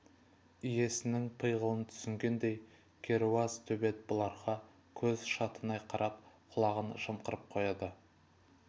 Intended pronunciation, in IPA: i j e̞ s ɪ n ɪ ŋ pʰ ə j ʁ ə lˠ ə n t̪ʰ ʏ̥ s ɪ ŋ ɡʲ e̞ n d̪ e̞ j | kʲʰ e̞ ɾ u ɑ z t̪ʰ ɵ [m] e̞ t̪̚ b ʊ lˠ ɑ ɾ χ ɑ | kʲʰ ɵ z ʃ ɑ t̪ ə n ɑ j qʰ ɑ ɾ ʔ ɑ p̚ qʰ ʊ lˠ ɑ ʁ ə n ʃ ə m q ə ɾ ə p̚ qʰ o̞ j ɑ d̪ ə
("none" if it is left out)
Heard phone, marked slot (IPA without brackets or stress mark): b